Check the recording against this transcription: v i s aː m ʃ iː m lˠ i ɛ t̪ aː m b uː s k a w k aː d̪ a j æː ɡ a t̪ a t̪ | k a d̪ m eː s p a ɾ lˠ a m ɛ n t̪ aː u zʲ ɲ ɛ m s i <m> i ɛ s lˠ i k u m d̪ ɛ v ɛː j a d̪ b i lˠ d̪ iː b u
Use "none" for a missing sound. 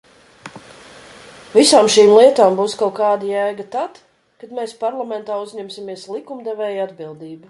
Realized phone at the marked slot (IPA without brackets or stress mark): m